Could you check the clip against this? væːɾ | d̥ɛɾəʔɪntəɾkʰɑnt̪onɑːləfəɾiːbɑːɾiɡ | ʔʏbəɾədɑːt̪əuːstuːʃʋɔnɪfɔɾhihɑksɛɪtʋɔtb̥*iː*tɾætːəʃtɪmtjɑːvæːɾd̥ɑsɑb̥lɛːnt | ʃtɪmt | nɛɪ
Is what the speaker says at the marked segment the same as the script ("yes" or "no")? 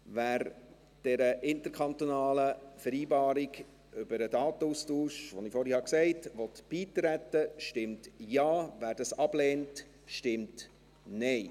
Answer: yes